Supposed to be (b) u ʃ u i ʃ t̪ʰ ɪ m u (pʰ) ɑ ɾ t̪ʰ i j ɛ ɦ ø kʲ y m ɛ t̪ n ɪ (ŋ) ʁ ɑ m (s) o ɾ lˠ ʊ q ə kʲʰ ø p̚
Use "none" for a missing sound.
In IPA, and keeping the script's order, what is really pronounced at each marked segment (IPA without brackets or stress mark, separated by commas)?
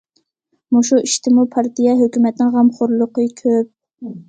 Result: m, pʰ, ŋ, χ